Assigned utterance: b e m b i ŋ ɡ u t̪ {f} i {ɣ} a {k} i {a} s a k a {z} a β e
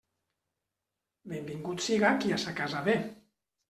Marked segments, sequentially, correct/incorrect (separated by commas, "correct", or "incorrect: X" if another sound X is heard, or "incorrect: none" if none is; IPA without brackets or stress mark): incorrect: s, correct, correct, correct, correct